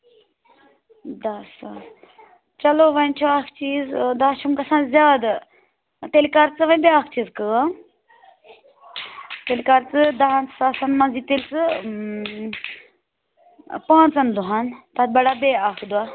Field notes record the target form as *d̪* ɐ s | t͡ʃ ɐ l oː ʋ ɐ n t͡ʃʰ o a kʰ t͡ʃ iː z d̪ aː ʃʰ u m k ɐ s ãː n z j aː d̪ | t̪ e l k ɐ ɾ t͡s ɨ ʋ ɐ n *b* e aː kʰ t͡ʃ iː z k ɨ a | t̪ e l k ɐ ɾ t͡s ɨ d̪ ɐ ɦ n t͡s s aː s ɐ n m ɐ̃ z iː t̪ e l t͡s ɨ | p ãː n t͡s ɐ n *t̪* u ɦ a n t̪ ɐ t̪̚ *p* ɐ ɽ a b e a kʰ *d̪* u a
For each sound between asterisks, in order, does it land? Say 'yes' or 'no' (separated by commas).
yes, yes, no, no, yes